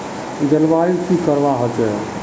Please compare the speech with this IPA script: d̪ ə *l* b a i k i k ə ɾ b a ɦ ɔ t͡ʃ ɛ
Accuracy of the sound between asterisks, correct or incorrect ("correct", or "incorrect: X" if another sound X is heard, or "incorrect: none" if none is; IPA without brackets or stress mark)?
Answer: correct